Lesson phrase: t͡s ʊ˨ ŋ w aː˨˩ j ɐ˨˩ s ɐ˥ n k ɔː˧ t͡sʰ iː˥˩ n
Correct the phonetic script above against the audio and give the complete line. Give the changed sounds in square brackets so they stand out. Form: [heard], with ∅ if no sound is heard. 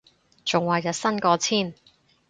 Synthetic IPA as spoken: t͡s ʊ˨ ŋ w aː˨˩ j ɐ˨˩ s ɐ˥ n k ɔː˧ t͡sʰ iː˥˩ n

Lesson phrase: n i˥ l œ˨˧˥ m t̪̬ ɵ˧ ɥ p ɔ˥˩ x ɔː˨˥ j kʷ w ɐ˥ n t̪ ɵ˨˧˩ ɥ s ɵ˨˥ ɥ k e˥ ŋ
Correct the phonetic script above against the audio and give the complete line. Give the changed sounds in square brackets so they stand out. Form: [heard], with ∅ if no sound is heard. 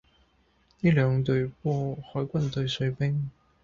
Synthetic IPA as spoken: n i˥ l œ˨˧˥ [ŋ] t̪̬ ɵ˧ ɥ p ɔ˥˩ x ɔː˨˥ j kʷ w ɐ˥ n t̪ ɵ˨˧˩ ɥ s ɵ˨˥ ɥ [p] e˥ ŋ

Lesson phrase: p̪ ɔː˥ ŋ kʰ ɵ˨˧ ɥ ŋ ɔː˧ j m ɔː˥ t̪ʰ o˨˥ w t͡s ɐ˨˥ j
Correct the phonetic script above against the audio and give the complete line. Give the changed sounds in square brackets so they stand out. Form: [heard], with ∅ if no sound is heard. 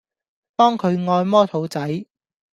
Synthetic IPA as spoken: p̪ ɔː˥ ŋ kʰ ɵ˨˧ ɥ ŋ ɔː˧ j m ɔː˥ t̪ʰ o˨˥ w t͡s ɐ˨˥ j

